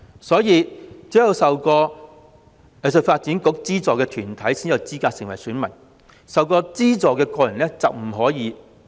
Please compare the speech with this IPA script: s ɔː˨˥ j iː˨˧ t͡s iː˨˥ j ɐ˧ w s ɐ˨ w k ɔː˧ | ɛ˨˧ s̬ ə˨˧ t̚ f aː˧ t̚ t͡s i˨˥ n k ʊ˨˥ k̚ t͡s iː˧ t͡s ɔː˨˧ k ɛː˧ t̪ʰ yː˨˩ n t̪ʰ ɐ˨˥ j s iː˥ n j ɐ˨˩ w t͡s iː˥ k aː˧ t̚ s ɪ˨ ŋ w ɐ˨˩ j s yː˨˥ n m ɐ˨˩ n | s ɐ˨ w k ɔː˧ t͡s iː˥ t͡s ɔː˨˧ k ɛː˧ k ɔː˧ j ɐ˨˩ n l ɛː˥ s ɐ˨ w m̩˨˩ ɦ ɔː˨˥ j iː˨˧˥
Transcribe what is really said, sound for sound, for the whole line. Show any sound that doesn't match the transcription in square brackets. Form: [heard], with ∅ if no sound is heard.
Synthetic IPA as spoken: s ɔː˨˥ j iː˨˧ t͡s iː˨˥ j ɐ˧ w s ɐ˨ w k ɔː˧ | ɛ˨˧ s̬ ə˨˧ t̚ f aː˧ t̚ t͡s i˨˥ n k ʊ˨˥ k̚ t͡s [iː˥] t͡s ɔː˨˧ k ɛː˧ t̪ʰ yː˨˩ n t̪ʰ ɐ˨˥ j s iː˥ n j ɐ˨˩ w t͡s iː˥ k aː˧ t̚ s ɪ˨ ŋ w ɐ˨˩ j s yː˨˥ n m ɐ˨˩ n | s ɐ˨ w k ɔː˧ t͡s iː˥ t͡s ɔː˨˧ k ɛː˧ k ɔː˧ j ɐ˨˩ n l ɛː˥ [t͡s] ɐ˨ w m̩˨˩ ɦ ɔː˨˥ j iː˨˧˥